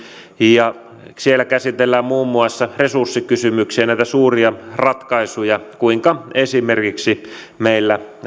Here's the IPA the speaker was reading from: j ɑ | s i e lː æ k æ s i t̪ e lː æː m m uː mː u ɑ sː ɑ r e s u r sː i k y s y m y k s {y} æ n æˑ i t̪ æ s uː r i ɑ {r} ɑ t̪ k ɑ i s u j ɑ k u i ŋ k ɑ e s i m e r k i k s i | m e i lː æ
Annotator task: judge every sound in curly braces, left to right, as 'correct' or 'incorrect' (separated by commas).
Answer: incorrect, correct